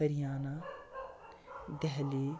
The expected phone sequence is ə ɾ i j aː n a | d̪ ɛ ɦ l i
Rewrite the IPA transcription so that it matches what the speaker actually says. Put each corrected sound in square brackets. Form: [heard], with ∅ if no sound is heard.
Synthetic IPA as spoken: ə ɾ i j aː n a | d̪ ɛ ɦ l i